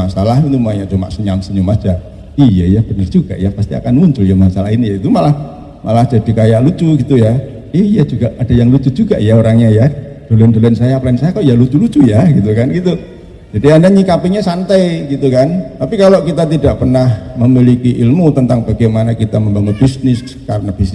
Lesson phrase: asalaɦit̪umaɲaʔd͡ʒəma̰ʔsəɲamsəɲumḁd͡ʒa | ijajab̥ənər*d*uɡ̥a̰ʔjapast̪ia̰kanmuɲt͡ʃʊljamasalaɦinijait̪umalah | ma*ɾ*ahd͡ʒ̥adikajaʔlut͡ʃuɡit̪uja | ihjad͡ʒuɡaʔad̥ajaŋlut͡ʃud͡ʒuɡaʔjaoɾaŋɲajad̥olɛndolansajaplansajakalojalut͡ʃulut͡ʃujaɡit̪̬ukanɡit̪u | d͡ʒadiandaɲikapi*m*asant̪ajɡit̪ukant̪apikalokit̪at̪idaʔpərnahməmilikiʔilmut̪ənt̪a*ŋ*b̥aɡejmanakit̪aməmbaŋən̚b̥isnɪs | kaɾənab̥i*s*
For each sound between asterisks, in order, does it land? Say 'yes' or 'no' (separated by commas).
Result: no, no, no, yes, yes